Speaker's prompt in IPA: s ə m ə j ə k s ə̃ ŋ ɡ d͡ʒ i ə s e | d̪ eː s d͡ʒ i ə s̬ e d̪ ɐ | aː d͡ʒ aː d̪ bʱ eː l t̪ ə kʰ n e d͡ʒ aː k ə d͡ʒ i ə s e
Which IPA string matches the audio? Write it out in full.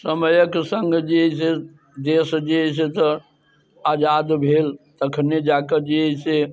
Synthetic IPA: s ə m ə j ə k s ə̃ ŋ ɡ d͡ʒ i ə s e | d̪ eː s d͡ʒ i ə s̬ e t̪ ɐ | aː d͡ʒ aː d̪ bʱ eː l t̪ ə kʰ n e d͡ʒ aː k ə d͡ʒ i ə s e